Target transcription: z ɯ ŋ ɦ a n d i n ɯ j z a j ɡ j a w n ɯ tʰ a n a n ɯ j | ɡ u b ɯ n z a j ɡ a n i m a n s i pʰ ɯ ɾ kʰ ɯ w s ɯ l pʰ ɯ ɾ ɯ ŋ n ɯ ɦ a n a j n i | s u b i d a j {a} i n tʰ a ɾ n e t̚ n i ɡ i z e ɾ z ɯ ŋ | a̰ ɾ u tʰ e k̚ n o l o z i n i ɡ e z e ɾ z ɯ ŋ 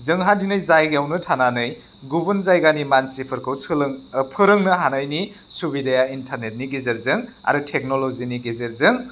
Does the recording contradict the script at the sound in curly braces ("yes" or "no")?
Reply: no